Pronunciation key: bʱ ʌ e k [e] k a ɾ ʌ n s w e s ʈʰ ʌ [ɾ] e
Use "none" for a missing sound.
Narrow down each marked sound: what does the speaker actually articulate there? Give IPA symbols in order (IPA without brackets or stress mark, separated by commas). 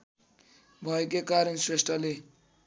e, l